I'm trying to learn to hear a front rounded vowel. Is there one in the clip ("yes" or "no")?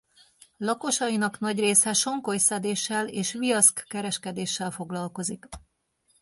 no